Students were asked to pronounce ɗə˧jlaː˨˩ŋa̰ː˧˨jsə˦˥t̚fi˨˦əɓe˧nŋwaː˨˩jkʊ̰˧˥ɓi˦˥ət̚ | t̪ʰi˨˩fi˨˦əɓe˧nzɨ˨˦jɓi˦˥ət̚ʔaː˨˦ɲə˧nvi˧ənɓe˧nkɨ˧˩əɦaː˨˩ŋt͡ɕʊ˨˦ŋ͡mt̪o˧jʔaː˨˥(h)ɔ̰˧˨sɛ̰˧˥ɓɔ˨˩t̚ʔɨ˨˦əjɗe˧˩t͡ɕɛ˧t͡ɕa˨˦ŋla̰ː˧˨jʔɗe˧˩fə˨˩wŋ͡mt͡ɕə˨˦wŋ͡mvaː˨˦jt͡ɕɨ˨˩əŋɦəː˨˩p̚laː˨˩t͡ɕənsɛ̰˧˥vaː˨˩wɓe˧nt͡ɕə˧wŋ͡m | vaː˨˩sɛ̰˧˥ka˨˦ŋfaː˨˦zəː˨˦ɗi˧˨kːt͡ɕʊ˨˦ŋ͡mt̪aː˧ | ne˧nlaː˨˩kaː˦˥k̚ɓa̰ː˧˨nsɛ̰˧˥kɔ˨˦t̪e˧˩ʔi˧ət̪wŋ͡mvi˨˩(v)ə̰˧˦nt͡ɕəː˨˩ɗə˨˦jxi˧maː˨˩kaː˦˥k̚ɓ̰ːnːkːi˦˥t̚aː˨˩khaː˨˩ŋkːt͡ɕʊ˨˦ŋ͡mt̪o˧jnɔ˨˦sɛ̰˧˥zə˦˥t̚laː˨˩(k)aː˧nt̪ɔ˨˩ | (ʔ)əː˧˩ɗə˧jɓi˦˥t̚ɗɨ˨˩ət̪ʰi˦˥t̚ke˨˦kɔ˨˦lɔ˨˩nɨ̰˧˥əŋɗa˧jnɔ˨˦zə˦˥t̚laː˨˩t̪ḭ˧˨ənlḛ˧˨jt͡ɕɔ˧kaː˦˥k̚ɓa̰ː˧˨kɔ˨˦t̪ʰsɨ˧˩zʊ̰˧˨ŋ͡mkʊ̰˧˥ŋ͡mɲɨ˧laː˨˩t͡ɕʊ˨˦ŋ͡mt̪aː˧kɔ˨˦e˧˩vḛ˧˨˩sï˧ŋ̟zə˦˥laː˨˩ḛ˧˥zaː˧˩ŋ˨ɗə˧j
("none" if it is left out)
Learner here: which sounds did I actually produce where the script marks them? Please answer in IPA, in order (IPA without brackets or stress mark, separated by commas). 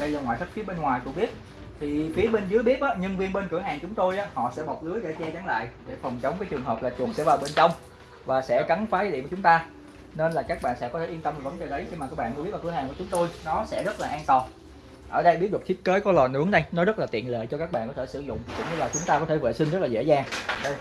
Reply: h, v, ʔ, ʔ